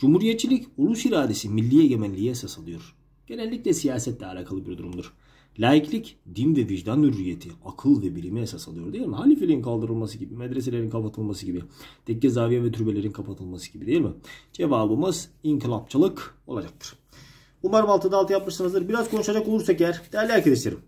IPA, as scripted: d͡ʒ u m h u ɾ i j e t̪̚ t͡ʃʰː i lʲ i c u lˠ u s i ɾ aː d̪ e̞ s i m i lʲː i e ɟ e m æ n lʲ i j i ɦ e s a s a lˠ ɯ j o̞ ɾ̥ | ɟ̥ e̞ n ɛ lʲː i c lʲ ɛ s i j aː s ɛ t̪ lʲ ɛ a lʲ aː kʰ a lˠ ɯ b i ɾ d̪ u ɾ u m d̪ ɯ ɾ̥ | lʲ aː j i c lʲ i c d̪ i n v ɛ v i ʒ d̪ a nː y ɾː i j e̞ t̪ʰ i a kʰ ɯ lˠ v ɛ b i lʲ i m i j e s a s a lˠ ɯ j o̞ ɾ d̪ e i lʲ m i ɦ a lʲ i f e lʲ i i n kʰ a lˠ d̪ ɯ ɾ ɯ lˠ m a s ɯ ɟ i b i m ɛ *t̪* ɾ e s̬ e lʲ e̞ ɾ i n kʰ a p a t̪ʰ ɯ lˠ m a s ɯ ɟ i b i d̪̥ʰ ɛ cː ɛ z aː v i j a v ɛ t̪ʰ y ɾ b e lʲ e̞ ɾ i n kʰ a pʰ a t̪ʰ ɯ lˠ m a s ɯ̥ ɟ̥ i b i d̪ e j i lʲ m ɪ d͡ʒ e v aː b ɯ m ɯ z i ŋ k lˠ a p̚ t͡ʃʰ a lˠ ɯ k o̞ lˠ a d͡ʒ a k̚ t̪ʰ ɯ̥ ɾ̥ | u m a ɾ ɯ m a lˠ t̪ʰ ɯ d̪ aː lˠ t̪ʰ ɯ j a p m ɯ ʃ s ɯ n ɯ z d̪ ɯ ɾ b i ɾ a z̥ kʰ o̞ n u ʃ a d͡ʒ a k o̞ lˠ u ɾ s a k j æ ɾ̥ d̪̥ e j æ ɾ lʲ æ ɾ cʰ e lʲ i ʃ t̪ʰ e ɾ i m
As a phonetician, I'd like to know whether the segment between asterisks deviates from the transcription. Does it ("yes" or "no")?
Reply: yes